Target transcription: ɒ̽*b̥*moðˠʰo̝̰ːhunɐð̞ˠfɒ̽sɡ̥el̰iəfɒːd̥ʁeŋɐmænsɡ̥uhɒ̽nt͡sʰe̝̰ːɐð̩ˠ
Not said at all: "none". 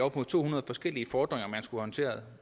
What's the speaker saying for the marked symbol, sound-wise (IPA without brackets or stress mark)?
b̥